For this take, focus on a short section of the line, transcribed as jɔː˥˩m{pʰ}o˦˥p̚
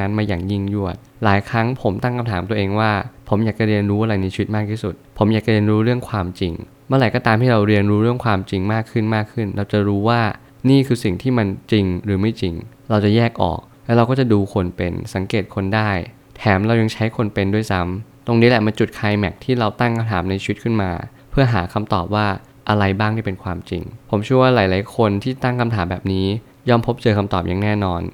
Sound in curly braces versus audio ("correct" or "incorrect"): correct